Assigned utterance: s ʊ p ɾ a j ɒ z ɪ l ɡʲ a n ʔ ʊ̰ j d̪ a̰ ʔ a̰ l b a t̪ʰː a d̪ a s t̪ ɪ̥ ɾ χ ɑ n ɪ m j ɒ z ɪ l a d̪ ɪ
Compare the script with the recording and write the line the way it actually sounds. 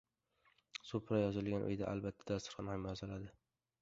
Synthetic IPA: s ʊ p ɾ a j ɒ z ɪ l ɡʲ a n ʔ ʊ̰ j d̪ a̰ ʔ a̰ l b a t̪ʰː a d̪ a s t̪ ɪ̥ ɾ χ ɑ n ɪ m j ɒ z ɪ l a d̪ ɪ

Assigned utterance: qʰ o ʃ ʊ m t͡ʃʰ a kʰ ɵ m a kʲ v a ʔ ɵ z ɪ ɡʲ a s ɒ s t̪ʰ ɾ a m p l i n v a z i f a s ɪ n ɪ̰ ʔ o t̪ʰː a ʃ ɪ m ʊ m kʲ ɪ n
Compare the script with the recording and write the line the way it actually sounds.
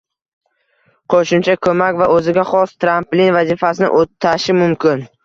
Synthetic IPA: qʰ o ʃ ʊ m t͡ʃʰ a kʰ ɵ m a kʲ v a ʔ ɵ z ɪ ɡʲ a χ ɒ s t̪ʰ ɾ a m p l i n v a z i f a s ɪ n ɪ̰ ʔ o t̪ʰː a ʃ ɪ m ʊ m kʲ ɪ n

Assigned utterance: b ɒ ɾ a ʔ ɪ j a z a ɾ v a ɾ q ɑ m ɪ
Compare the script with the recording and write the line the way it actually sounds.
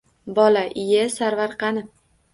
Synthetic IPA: b ɒ l a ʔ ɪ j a s a ɾ v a ɾ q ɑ n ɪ

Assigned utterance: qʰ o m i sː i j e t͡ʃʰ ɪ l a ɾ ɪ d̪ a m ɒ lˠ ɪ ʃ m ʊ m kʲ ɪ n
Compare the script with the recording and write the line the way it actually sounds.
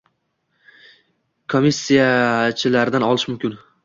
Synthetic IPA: kʰ o m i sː i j a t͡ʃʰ ɪ l a ɾ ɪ d̪ a n ɒ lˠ ɪ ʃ m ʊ m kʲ ɪ n

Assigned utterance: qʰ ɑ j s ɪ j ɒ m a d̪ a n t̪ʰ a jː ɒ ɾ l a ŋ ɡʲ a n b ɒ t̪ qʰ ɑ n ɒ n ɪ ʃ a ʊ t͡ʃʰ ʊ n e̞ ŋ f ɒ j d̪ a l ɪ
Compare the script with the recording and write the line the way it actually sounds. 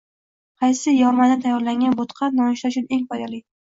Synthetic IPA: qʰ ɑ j s ɪ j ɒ m a d̪ a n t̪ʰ a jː ɒ ɾ l a ŋ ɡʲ a n b o t̪ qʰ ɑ n ɒ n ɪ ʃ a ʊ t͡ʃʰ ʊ n e̞ ŋ f ɒ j d̪ a l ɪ

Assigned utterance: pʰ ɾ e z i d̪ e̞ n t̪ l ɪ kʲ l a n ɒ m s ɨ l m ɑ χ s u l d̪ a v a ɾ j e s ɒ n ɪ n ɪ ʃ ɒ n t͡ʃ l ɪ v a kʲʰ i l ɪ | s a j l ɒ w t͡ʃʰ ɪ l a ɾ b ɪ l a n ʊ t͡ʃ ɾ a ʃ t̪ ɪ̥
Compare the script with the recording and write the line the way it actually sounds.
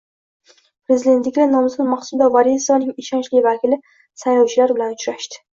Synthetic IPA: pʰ ɾ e z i d̪ e̞ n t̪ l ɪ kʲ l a n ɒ m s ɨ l m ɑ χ s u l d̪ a v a ɾ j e s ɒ n ɪ ŋ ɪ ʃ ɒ n t͡ʃ l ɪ v a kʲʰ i l ɪ | s a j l ɒ w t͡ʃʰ ɪ l a ɾ b ɪ l a n ʊ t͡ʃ ɾ a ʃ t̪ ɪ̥

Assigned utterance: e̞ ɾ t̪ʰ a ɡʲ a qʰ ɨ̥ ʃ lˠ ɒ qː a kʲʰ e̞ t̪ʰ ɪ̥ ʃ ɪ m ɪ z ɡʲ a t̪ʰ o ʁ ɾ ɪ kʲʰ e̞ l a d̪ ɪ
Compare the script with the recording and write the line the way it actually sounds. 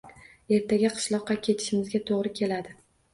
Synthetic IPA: e̞ ɾ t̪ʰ a ɡʲ a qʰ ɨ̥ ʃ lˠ ɒ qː ɑ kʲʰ e̞ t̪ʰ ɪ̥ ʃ ɪ m ɪ z ɡʲ a t̪ʰ o ʁ ɾ ɪ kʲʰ e̞ l a d̪ ɪ

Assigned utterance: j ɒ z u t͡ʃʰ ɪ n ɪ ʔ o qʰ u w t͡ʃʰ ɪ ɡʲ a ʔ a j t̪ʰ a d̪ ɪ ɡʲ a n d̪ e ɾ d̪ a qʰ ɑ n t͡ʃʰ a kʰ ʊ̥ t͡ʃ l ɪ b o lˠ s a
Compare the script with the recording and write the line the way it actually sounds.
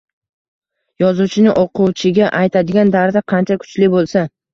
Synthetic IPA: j ɒ z u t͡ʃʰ ɪ n ɪ ʔ o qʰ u w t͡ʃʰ ɪ ɡʲ a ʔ a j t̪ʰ a d̪ ɪ ɡʲ a n d̪ a ɾ d̪ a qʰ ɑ n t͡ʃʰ a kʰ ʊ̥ t͡ʃ l ɪ b o lˠ s a

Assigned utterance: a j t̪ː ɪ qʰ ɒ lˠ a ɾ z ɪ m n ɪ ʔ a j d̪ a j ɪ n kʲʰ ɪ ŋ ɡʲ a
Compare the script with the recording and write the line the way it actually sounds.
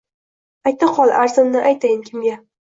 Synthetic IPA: a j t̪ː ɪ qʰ ɒ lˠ a ɾ z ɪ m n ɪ ʔ a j t̪ a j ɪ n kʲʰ ɪ m ɡʲ a

